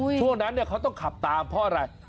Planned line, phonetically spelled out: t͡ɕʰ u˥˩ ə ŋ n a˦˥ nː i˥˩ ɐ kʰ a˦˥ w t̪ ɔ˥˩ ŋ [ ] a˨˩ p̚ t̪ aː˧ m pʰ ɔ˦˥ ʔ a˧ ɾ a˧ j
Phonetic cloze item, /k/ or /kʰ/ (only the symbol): kʰ